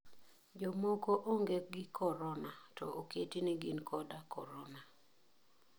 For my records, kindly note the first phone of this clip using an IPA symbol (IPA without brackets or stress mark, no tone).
d͡ʒ